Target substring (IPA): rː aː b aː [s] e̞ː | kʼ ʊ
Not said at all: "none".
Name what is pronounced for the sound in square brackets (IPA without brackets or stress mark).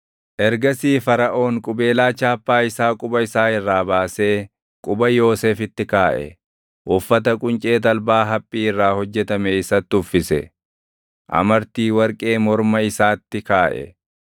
s